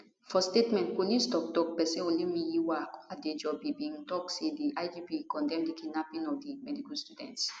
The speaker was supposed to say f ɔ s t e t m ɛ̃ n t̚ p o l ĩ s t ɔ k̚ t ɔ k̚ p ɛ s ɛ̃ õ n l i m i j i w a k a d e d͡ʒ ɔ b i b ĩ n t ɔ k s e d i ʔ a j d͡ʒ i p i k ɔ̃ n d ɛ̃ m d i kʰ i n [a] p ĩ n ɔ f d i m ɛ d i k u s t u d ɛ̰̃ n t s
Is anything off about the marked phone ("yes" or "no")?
no